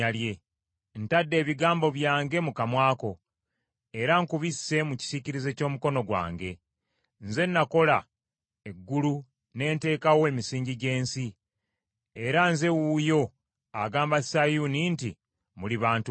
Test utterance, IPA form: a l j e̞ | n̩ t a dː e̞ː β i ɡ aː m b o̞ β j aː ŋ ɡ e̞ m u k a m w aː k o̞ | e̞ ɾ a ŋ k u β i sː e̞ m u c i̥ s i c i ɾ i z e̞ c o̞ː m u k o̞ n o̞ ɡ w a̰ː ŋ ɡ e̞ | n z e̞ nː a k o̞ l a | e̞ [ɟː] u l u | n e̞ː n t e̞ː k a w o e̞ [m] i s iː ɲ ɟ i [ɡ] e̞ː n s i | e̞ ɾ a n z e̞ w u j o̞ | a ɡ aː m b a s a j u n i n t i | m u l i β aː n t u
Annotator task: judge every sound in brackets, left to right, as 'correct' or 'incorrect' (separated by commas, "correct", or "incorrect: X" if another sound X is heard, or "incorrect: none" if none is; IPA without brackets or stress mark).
incorrect: ɡː, correct, incorrect: ɟ